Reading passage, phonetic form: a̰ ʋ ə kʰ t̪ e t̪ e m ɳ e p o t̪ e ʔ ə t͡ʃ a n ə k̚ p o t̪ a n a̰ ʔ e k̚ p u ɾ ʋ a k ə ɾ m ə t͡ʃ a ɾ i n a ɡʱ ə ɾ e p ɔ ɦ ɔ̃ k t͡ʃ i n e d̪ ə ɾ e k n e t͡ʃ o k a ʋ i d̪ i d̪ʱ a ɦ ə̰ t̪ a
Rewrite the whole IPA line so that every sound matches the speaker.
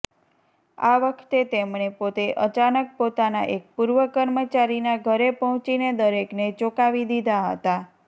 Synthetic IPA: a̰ ʋ ə kʰ t̪ e t̪ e m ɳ e p o t̪ e ʔ ə t͡ʃ a n ə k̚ p o t̪ a n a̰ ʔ e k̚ p u ɾ ʋ ə k ə ɾ m ə t͡ʃ a ɾ i n a ɡʱ ə ɾ e p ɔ ɦ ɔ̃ t͡ʃ i n e d̪ ə ɾ e k n e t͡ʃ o k a ʋ i d̪ i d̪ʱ a ɦ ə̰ t̪ a